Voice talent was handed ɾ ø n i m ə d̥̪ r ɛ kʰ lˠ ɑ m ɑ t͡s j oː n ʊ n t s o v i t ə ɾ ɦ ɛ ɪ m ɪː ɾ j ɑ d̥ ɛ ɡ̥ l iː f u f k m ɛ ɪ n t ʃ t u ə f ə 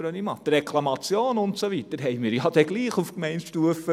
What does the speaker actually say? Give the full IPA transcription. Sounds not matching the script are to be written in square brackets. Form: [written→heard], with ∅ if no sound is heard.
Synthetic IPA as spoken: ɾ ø n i m [ə→ɑ] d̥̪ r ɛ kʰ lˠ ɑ m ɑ t͡s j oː n ʊ n t s o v i t ə ɾ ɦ ɛ ɪ m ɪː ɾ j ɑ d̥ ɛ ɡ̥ l iː [f→χ] u f k m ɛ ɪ n t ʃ t u ə f ə